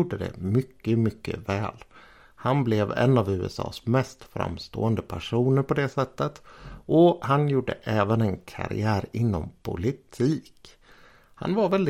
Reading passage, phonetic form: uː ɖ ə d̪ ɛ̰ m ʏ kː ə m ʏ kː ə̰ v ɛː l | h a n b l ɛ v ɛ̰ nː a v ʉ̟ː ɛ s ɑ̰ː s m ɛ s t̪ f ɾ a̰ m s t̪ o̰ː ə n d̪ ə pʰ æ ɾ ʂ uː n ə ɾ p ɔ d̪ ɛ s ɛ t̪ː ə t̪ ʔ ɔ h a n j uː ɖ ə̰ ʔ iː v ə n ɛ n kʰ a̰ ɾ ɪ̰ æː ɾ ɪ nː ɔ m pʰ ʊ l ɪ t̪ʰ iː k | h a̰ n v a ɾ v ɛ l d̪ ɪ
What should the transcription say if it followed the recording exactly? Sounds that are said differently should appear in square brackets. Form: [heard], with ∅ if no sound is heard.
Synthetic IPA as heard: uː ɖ ə d̪ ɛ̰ m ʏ kː ə m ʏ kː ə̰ v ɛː l | h a n b l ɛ v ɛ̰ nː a v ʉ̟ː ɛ s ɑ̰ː s m ɛ s t̪ f ɾ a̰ m s t̪ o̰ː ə n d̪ ə pʰ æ [∅] ʂ uː n ə ɾ p ɔ d̪ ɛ s ɛ t̪ː ə t̪ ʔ ɔ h a n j uː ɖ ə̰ ʔ [ɛː] v ə n ɛ n kʰ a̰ ɾ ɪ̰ æː ɾ ɪ nː ɔ m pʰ ʊ l ɪ t̪ʰ iː k | h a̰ n v a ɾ v ɛ l d̪ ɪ